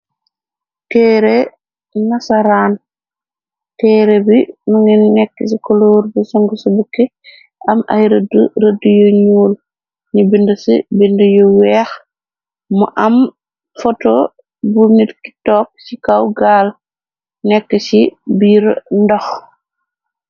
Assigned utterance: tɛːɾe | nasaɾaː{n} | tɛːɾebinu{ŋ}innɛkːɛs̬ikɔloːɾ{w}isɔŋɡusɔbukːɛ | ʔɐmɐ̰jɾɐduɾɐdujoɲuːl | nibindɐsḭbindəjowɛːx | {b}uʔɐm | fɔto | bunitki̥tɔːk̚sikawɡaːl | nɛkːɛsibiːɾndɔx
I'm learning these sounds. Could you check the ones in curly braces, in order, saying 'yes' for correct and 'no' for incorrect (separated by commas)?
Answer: yes, yes, no, no